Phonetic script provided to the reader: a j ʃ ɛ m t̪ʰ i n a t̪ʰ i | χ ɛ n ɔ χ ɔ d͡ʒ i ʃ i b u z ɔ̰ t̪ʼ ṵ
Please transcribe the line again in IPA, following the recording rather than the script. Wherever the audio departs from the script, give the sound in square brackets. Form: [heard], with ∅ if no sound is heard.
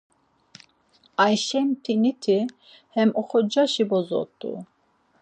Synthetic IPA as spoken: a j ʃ ɛ m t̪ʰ i n [i] t̪ʰ i | [h] ɛ [m] ɔ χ ɔ d͡ʒ [a] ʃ i b [ɔ] z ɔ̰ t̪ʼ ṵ